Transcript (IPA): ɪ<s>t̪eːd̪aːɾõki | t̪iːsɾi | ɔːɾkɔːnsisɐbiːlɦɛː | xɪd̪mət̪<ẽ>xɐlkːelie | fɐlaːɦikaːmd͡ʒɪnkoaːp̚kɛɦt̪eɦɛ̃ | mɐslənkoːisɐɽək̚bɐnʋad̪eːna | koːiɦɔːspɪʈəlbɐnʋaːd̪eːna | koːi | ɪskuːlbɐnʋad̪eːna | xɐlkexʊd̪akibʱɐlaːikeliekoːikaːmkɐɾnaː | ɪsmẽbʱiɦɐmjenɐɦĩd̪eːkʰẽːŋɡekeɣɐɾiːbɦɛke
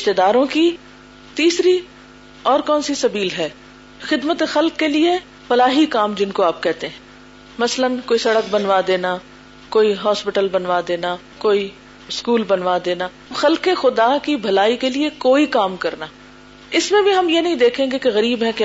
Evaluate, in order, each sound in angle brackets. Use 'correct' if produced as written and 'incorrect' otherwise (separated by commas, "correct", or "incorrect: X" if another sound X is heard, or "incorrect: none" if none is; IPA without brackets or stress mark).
incorrect: ʃ, incorrect: e